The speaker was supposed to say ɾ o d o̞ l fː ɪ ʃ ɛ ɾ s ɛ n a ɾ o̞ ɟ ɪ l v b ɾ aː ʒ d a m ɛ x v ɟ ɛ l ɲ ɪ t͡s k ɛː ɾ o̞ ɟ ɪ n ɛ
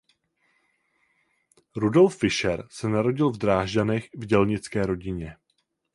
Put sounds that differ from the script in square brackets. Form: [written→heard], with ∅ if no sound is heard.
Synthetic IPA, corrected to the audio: ɾ [o→u] d o̞ l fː ɪ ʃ ɛ ɾ s ɛ n a ɾ o̞ ɟ ɪ l v [b→d] ɾ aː ʒ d a [m→n] ɛ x v ɟ ɛ l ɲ ɪ t͡s k ɛː ɾ o̞ ɟ ɪ [n→ɲ] ɛ